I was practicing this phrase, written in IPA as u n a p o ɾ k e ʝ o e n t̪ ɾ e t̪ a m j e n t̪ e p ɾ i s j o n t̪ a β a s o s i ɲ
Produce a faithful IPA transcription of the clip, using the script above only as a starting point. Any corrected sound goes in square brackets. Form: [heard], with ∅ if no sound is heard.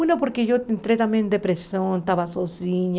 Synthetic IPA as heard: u n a p o ɾ k e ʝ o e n t̪ ɾ e t̪ a m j e n [d̪] e p ɾ [e] s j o n t̪ a β a s o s i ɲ